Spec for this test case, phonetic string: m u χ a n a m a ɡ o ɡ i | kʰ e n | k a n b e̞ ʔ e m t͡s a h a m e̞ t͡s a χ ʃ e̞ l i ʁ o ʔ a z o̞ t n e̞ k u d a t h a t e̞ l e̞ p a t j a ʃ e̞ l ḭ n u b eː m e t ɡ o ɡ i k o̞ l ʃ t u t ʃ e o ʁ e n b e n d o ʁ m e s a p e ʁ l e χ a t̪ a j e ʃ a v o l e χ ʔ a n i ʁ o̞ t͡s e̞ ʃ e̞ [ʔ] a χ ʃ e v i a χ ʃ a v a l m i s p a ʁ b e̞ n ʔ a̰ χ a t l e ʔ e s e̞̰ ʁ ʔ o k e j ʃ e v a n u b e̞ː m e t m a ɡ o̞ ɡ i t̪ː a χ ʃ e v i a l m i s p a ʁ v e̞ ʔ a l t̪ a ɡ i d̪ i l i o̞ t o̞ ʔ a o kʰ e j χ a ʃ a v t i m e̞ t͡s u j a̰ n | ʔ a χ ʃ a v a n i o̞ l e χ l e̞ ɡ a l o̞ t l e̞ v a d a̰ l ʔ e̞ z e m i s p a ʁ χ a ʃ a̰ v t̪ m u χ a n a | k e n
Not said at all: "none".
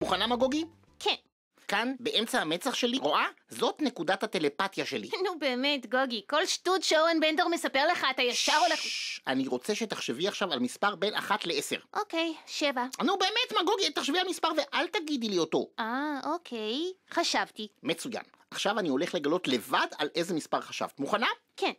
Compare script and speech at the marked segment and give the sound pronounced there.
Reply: t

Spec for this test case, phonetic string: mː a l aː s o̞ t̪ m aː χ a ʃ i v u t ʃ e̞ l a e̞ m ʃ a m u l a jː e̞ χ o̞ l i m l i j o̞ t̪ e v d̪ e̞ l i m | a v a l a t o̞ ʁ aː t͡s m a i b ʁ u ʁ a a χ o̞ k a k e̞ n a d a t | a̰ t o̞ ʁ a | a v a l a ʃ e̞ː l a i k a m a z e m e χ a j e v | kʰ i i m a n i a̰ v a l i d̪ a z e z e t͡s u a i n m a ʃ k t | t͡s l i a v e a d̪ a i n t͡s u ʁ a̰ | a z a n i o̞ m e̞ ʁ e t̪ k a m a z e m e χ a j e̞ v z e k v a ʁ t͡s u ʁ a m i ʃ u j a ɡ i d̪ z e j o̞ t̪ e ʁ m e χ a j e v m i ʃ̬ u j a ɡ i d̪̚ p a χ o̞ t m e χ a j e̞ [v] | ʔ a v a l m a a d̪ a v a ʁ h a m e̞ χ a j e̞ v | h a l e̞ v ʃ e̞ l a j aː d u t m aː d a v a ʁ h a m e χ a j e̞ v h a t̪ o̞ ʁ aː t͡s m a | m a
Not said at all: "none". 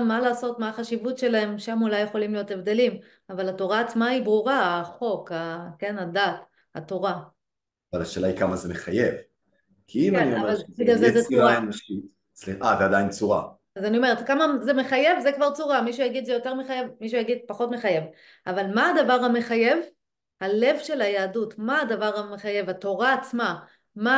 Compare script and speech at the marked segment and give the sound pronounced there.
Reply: v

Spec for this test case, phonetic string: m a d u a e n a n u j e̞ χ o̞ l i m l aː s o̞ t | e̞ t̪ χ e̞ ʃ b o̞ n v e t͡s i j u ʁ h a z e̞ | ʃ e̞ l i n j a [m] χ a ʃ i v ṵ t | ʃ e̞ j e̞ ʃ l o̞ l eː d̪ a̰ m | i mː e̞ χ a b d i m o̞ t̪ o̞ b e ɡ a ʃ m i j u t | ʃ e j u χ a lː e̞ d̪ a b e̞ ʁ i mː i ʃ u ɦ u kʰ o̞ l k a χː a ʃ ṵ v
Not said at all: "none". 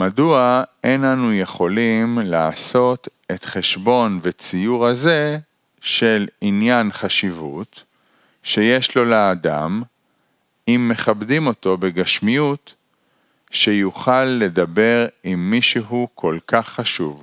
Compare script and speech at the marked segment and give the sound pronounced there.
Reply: n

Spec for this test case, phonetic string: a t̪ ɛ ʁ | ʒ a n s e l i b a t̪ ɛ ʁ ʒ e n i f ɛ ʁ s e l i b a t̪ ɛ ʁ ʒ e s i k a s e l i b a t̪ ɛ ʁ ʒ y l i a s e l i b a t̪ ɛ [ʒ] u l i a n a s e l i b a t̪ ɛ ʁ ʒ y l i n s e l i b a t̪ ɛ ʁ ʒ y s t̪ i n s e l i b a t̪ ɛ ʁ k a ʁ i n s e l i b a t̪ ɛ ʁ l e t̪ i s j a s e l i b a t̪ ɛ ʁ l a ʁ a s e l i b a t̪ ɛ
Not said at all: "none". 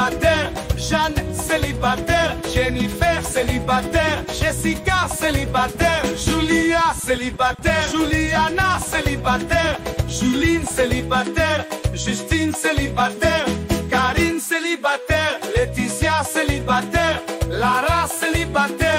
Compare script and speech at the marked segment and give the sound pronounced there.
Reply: ʒ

